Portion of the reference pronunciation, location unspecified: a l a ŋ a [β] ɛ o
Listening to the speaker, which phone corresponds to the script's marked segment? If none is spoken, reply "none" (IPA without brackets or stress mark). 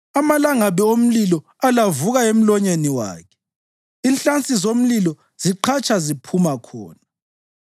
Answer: β